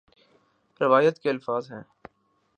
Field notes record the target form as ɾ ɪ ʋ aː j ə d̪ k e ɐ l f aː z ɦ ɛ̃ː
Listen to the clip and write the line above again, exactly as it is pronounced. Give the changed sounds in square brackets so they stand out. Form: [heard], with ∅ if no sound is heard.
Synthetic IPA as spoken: ɾ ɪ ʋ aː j ə [t̪] k e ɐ l f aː z ɦ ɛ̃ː